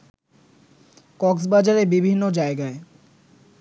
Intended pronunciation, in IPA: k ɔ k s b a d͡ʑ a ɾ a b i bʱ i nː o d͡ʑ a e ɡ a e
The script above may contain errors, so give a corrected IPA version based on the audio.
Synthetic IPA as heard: k ɔ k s b a d͡ʑ a ɾ e b i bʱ i nː o d͡ʑ a e ɡ a e